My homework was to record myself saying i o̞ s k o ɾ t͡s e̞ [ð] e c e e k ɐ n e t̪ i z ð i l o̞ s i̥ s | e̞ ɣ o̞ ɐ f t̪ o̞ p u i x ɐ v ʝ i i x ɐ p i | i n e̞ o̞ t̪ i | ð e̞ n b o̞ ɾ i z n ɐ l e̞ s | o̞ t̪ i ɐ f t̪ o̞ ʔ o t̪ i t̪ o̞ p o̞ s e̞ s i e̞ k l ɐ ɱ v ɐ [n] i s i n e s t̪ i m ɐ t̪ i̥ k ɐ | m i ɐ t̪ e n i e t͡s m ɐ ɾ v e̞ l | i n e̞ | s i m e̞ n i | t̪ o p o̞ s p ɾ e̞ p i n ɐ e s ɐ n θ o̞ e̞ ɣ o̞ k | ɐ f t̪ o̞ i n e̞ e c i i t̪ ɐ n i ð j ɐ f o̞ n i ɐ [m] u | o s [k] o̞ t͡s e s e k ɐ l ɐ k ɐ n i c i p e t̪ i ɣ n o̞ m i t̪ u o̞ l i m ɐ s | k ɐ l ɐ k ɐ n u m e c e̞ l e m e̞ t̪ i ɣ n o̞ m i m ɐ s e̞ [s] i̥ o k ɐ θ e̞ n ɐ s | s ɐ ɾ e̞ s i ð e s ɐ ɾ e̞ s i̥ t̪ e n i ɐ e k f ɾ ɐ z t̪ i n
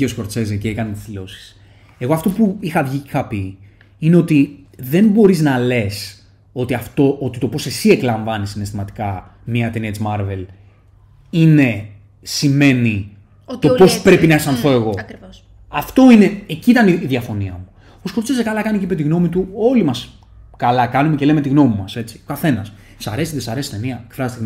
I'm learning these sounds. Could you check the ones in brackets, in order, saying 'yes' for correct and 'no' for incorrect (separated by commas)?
no, yes, yes, yes, no